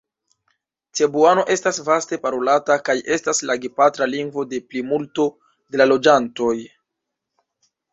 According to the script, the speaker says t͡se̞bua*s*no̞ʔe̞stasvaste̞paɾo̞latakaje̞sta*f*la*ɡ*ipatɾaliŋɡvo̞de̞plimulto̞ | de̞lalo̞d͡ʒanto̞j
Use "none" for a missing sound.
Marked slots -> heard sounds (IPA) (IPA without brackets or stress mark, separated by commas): none, s, ɡ